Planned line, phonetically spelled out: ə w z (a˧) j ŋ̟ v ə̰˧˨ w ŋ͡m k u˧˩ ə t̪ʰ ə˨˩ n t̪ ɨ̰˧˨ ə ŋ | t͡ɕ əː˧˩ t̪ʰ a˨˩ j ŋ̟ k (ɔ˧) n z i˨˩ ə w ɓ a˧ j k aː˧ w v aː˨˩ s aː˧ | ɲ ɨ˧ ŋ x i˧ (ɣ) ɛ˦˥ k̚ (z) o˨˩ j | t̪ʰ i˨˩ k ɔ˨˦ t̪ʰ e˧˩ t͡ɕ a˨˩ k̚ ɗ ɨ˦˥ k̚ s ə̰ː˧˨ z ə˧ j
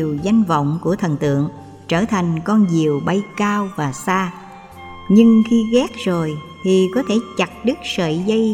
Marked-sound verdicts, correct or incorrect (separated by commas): correct, correct, correct, correct